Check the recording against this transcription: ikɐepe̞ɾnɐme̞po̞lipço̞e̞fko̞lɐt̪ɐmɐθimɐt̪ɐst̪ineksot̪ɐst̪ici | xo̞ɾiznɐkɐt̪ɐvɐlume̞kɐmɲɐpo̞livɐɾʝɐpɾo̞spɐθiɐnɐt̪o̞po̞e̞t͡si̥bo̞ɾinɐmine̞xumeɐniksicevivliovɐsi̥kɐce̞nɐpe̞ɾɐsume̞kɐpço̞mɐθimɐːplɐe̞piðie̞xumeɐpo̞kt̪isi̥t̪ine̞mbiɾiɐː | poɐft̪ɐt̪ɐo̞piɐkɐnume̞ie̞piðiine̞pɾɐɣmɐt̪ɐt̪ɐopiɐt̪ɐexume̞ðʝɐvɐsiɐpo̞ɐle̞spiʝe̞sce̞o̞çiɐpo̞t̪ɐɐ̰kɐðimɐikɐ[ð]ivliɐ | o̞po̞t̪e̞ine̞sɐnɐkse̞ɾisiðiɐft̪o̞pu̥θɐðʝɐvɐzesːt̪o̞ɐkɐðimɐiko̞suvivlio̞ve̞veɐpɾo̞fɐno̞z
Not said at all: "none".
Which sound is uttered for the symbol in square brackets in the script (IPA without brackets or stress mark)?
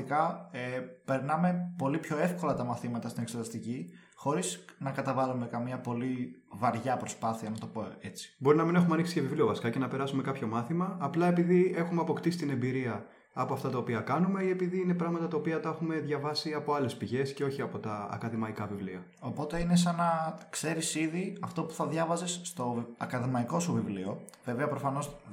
v